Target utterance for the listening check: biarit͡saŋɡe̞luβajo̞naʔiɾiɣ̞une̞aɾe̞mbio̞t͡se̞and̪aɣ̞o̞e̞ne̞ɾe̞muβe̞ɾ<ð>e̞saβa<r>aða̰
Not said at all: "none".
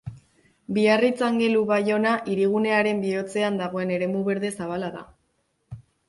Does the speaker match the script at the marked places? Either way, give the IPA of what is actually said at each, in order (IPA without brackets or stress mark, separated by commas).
ð, l